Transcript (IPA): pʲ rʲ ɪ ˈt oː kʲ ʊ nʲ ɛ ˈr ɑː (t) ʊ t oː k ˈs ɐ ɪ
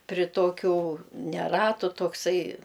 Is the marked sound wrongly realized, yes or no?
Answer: no